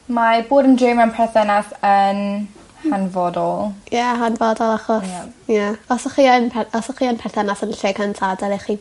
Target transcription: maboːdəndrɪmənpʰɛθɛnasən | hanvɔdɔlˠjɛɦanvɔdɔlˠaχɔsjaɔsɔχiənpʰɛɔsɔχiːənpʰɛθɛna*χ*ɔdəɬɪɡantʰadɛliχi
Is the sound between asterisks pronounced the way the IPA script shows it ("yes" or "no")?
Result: no